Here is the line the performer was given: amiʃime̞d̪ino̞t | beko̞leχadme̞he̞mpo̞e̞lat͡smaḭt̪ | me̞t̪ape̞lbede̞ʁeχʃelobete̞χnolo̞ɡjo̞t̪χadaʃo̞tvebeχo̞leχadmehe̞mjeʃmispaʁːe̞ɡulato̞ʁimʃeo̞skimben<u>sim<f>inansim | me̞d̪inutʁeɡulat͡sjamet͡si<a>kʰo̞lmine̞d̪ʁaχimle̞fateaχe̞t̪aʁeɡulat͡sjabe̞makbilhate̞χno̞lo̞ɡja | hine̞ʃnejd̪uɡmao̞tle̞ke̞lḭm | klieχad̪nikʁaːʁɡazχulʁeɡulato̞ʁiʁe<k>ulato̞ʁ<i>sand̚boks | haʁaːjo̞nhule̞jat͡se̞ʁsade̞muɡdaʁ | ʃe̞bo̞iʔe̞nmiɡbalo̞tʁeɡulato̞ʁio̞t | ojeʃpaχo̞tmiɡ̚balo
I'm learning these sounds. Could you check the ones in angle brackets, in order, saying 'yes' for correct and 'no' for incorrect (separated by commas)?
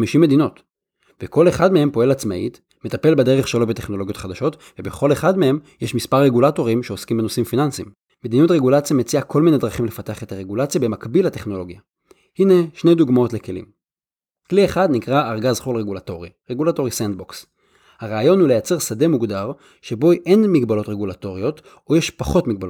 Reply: no, yes, yes, no, yes